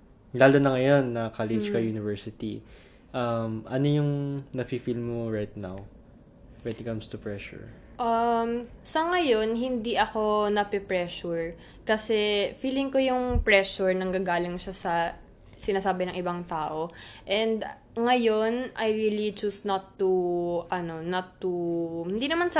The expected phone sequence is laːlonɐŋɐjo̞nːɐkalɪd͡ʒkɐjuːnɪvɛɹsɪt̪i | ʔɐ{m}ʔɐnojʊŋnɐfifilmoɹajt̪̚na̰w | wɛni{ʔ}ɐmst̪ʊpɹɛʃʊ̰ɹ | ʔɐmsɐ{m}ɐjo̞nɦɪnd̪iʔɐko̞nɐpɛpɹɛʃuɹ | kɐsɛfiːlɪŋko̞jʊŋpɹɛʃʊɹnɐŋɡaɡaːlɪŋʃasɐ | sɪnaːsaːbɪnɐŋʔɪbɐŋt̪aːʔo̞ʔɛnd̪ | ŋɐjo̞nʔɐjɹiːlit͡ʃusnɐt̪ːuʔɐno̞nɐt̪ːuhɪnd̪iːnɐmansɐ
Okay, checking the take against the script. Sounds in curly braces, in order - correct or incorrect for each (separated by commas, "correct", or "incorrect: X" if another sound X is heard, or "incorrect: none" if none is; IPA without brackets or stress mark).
correct, incorrect: k, incorrect: ŋ